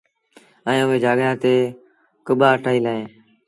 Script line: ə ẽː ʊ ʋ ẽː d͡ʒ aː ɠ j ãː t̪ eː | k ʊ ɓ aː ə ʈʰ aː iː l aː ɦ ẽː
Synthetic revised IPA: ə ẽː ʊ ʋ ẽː d͡ʒ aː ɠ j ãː t̪ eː | k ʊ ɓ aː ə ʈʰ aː iː l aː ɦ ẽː